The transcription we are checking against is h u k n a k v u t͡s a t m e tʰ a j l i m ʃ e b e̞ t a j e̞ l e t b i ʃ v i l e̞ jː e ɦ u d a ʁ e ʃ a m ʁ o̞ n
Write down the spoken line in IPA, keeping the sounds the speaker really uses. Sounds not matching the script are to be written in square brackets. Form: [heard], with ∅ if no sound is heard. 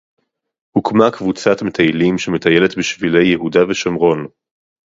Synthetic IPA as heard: h u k [m] a k v u t͡s a t m e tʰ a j l i m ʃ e [m] e̞ t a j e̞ l e t b i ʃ v i l e̞ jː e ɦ u d a [v] e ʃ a m ʁ o̞ n